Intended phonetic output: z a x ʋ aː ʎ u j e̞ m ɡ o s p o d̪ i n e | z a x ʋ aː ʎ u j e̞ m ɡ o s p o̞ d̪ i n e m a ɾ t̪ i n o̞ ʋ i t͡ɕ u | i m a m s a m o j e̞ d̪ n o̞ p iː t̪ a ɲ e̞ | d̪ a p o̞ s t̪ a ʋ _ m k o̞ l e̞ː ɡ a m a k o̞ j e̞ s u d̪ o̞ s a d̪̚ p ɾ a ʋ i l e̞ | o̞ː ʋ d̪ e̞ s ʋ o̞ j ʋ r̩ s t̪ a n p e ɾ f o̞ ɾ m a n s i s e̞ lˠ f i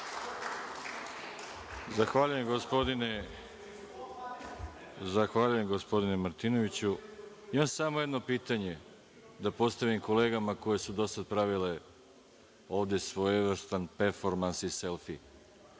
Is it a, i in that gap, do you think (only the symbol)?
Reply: i